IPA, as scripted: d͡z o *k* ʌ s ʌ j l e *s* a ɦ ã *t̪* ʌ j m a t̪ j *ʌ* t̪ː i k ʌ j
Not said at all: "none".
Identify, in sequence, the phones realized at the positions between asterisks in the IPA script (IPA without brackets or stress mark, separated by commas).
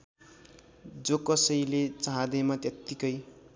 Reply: k, t͡s, d̪, ʌ